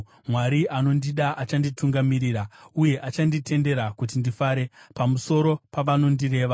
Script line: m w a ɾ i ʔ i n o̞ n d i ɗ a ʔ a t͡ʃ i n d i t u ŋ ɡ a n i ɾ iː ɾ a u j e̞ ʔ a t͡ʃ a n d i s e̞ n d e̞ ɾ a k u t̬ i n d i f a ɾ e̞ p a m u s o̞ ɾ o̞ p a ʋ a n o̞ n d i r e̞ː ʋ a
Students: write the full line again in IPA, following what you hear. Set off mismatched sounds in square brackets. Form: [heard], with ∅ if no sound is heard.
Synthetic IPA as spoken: m w a ɾ i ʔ [a] n o̞ n d i ɗ a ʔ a t͡ʃ [a] n d i t u ŋ ɡ a [m] i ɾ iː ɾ a u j e̞ ʔ a t͡ʃ a n d i [t] e̞ n d e̞ ɾ a k u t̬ i n d i f a ɾ e̞ p a m u s o̞ ɾ o̞ p a ʋ a n o̞ n d i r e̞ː ʋ a

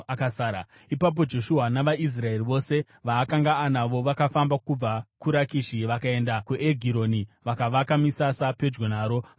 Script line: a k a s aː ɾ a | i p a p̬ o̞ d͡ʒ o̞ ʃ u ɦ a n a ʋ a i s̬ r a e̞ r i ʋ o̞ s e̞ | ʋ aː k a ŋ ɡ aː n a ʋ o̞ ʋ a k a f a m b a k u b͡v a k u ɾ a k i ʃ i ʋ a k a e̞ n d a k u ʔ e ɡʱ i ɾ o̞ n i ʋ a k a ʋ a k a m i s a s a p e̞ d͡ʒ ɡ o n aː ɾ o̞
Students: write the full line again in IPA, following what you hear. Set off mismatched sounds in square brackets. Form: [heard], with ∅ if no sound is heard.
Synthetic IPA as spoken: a k a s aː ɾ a | i p a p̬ o̞ d͡ʒ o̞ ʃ u ɦ a n a ʋ a i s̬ r a e̞ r i ʋ o̞ s e̞ | ʋ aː k a ŋ ɡ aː n a ʋ o̞ ʋ a k a f a m b a k u b͡v a k u ɾ a k i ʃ i ʋ a k a e̞ n d a k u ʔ e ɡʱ i ɾ o̞ n i ʋ a k a ʋ a k a m i s a s a p e̞ d͡ʒ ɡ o n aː ɾ o̞

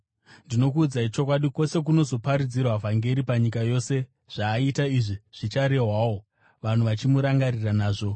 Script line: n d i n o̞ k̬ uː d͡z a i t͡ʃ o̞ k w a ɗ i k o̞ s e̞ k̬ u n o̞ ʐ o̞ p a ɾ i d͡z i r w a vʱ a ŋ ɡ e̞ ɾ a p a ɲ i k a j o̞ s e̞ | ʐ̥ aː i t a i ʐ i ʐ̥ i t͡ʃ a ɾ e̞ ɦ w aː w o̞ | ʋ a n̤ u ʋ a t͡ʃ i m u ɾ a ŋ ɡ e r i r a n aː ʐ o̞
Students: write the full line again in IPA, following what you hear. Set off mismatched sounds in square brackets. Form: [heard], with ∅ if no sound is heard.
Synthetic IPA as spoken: n d i n o̞ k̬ uː d͡z a i t͡ʃ o̞ k w a ɗ i k o̞ s e̞ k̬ u n o̞ [z] o̞ p a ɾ i d͡z i r w a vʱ a ŋ ɡ e̞ ɾ [i] p a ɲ i k a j o̞ s e̞ | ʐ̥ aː i t a i ʐ i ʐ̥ i t͡ʃ a ɾ e̞ ɦ w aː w o̞ | ʋ a n̤ u ʋ a t͡ʃ i m u ɾ a ŋ ɡ [a] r i r a n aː ʐ o̞

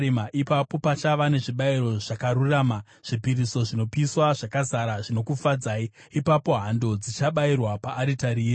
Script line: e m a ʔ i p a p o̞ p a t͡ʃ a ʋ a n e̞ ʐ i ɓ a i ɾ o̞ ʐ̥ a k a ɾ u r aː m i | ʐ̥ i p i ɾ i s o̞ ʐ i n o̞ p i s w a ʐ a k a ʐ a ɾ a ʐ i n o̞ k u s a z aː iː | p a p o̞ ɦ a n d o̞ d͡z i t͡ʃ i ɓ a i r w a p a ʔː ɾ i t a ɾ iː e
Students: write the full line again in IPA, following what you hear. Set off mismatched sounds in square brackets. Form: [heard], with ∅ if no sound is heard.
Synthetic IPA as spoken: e m a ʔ i p a p o̞ p a t͡ʃ a ʋ a n e̞ ʐ i ɓ a i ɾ o̞ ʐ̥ a k a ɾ u r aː m [a] | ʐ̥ i p i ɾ i s o̞ ʐ i n o̞ p i s w a ʐ a k a [z] a ɾ a ʐ i n o̞ k u [f] a [d͡z] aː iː | p a p o̞ ɦ a n d o̞ d͡z i t͡ʃ [a] ɓ a i r w a p a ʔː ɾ i t a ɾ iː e

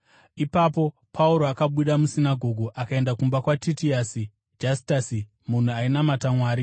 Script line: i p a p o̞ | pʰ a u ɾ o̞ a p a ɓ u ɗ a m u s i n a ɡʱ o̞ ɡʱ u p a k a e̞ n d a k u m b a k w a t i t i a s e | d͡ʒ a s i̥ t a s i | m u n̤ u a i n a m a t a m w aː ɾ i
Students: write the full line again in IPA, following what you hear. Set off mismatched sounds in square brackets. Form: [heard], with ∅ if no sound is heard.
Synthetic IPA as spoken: i p a p o̞ | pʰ a u ɾ o̞ a [k] a ɓ u ɗ a m u s i n a ɡʱ o̞ ɡʱ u [ʔ] a k a e̞ n d a k u m b a k w a t i t i a s [i] | d͡ʒ a s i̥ t a s i | m u n̤ u a i n a m a t a m w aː ɾ i

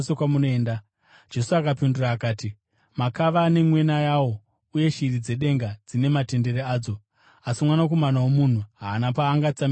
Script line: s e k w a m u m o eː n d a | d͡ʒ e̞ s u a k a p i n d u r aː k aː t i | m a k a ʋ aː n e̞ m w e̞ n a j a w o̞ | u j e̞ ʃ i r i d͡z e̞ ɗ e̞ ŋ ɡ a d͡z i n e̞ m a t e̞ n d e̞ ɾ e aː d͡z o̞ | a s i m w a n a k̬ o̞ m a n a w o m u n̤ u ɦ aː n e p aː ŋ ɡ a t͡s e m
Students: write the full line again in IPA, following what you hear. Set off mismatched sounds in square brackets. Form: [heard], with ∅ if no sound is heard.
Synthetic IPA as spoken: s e k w a m u [n] o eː n d a | d͡ʒ e̞ s u a k a p i n d u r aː k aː t i | m a k a ʋ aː n e̞ m w e̞ n a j a w o̞ | u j e̞ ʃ i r i d͡z e̞ ɗ e̞ ŋ ɡ a d͡z i n e̞ m a t e̞ n d e̞ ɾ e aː d͡z o̞ | a s i m w a n a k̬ o̞ m a n a w o m u n̤ u ɦ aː n [a] p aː ŋ ɡ a t͡s [a] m

